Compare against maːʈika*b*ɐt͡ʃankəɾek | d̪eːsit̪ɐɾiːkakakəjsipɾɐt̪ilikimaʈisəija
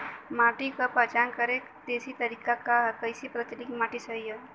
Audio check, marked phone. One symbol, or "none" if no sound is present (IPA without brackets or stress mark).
p